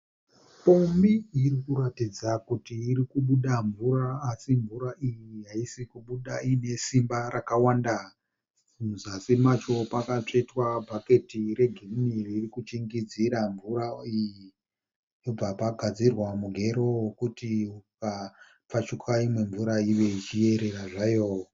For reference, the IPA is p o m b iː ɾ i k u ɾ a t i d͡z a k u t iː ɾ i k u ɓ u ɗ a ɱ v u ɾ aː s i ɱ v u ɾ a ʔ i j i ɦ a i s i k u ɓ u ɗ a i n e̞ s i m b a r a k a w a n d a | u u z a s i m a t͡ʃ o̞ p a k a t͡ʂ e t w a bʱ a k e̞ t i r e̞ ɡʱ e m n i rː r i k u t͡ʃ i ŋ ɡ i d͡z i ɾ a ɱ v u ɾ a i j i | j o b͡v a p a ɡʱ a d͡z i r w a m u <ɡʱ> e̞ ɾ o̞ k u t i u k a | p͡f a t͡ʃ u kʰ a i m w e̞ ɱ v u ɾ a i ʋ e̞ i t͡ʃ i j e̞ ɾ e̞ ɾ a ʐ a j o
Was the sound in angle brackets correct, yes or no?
yes